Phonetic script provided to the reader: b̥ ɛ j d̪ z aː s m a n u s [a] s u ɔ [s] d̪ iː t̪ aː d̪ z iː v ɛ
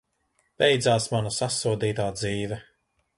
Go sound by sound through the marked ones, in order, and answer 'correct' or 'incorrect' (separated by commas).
correct, incorrect